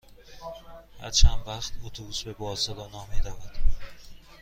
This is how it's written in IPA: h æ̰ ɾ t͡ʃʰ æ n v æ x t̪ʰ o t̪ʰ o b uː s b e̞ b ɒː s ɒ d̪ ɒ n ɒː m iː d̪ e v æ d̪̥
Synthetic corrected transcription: h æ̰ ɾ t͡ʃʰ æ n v æ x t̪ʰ o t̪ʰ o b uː s b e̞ b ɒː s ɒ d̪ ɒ n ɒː m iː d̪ æ v æ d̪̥